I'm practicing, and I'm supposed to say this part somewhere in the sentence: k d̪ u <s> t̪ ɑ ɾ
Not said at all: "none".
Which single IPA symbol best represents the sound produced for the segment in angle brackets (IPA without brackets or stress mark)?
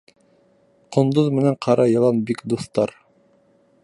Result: θ